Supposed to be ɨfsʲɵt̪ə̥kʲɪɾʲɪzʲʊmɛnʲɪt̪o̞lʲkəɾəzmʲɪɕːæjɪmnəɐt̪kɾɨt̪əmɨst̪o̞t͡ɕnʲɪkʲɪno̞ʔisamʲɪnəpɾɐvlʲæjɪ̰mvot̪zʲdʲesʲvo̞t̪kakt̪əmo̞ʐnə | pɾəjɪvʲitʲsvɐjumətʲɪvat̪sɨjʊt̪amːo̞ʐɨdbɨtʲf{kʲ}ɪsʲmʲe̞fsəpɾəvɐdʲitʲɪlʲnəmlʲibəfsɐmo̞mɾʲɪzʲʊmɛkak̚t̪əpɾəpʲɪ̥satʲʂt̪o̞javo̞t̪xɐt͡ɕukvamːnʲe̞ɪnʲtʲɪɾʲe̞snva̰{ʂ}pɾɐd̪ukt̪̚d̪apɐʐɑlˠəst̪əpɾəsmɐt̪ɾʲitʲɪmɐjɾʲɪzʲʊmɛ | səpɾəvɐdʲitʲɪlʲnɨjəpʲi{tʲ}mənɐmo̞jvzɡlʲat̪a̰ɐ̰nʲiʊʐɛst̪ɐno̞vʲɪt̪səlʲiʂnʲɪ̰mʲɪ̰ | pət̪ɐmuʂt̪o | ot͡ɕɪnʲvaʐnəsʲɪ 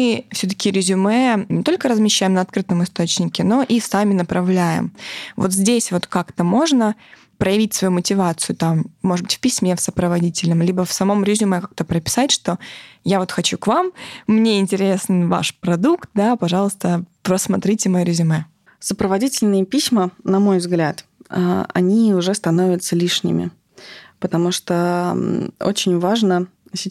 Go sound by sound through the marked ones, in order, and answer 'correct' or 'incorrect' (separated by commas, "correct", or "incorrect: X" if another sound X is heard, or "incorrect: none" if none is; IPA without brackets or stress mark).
incorrect: pʲ, correct, incorrect: sʲ